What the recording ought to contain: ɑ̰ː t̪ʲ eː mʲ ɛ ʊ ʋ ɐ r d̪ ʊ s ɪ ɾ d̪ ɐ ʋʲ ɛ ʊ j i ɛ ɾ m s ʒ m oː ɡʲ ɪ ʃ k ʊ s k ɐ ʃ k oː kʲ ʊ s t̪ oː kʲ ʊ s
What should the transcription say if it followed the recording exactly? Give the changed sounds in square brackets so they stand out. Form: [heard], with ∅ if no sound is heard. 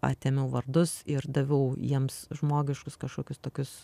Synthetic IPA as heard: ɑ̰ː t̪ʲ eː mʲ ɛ ʊ ʋ ɐ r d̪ ʊ s ɪ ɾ d̪ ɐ ʋʲ ɛ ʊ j i ɛ [∅] m s ʒ m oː ɡʲ ɪ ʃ k ʊ s k ɐ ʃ k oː kʲ ʊ s t̪ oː kʲ ʊ s